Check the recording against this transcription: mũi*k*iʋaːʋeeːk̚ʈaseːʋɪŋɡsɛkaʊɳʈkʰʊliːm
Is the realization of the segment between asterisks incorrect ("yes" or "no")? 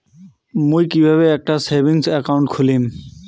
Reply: no